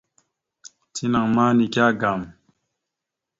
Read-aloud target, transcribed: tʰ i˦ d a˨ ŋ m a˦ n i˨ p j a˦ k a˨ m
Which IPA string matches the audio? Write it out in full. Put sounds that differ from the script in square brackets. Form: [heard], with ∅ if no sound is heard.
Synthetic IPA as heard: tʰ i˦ [n] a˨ ŋ m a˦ n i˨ [k] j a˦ [ɡ] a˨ m

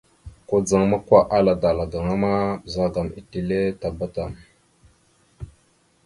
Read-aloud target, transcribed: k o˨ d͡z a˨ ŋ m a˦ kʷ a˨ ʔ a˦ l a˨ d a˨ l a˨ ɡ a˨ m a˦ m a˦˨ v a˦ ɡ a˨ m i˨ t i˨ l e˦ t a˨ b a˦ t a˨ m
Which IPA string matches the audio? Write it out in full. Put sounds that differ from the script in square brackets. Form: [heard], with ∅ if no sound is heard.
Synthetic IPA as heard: k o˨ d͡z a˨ ŋ m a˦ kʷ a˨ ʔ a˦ l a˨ d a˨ l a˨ ɡ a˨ [ŋ] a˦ m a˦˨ [z] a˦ ɡ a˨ m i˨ t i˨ l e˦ t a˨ b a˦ t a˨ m

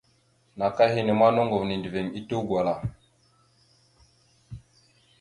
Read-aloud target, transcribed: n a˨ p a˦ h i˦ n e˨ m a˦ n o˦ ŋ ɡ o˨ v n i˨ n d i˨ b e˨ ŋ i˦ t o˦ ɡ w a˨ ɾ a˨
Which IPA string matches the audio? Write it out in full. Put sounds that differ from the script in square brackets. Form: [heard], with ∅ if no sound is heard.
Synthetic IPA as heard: n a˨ [k] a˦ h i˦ n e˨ m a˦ n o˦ ŋ ɡ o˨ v n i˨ n d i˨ [v] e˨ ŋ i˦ t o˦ ɡ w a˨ [l] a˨

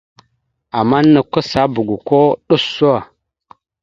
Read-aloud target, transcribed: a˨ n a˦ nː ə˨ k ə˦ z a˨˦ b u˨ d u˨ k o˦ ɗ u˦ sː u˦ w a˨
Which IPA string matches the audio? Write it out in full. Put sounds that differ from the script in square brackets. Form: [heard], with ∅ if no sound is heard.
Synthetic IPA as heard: a˨ [m] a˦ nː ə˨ k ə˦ [s] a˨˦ b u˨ [ɡ] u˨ k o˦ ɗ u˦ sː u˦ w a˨

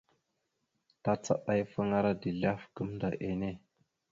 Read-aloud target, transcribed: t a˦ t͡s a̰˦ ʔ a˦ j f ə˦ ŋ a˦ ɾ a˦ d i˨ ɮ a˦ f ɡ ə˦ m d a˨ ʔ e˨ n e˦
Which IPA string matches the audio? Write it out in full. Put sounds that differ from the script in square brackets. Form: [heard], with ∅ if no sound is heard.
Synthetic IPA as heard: t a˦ t͡s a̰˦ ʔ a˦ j f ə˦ ŋ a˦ ɾ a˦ d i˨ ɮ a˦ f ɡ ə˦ m d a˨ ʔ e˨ n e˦

